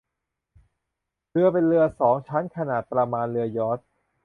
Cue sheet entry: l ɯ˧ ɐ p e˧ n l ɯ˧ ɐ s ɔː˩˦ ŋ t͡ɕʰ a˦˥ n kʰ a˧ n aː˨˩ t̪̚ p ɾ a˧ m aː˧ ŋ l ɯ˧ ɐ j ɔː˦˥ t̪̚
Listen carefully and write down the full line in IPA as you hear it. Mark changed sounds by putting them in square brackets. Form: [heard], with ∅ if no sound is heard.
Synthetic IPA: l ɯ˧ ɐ p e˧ n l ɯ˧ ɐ s ɔː˩˦ ŋ t͡ɕʰ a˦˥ n kʰ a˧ n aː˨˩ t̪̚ p ɾ a˧ m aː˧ [n] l ɯ˧ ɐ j ɔː˦˥ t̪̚